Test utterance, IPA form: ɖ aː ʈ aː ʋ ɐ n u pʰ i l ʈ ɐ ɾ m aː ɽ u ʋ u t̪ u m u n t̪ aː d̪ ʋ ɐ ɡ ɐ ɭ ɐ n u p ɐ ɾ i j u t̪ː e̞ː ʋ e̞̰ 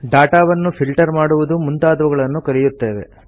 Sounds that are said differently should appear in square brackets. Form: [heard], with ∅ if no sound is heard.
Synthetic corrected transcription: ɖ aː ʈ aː ʋ ɐ [nː] u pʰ i l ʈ ɐ ɾ m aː ɽ u ʋ u [d̪] u m u n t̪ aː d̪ ʋ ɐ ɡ ɐ ɭ ɐ [nː] u [k] ɐ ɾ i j u t̪ː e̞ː ʋ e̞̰